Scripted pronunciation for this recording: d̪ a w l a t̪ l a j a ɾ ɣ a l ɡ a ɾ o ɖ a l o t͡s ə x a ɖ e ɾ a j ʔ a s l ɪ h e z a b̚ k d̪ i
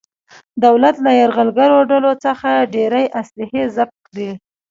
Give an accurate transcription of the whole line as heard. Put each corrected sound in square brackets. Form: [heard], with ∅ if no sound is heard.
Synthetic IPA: d̪ a w l a t̪ l a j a ɾ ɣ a l ɡ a ɾ o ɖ a l o t͡s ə x a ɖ e ɾ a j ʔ a s l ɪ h e z a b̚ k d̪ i

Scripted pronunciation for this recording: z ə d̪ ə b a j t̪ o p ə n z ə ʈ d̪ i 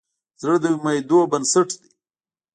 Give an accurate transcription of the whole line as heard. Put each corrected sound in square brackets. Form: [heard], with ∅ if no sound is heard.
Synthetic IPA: z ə d̪ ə [m] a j [d̪] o [b] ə n [s] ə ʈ d̪ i

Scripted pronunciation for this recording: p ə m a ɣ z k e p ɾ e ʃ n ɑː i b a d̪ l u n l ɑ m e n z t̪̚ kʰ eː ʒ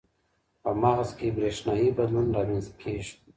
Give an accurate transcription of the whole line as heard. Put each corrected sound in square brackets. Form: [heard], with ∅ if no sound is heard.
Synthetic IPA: p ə m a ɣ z k e [b] ɾ e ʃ n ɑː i b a d̪ l u n [ɾ] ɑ m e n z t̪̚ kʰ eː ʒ

